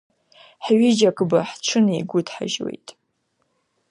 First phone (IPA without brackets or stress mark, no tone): ħ